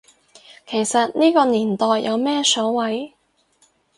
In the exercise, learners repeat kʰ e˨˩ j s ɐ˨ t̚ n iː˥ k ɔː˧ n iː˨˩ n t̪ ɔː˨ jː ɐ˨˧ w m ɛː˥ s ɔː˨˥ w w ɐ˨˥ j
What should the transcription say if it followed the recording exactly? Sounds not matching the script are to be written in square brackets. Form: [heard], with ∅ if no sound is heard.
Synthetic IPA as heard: kʰ e˨˩ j s ɐ˨ t̚ n iː˥ k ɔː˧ n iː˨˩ n t̪ ɔː˨ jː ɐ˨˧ w m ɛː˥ s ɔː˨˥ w w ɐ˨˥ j